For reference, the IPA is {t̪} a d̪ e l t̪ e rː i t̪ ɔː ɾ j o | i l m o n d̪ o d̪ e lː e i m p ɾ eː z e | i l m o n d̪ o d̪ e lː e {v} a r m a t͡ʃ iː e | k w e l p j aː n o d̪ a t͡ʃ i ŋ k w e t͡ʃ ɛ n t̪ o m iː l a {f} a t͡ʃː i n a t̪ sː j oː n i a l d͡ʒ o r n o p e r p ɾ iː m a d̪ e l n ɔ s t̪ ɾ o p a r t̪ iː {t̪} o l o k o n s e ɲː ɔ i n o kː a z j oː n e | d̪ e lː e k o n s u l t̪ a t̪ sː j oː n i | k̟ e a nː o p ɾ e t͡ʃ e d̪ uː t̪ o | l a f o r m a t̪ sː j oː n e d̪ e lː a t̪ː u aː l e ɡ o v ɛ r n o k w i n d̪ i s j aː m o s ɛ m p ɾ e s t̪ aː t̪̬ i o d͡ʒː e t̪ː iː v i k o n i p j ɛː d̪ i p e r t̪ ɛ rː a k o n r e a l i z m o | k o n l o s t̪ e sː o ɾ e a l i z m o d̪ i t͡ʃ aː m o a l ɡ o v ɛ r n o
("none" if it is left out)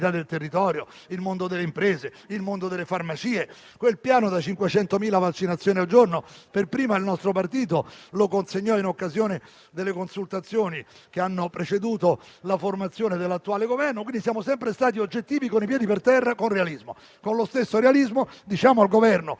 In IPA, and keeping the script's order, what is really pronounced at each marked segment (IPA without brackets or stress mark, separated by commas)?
t̪, f, v, t̪